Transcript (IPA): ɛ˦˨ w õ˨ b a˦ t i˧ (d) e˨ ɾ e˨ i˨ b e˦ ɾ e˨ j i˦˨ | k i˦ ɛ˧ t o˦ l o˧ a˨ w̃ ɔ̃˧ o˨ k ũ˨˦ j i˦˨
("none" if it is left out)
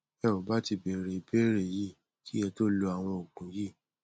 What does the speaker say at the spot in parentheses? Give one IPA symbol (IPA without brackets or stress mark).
b